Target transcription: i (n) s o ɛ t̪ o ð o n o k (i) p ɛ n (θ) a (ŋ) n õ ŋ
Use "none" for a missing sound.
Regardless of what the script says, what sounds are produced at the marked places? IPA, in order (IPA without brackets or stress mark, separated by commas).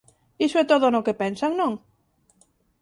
none, e, s, ŋ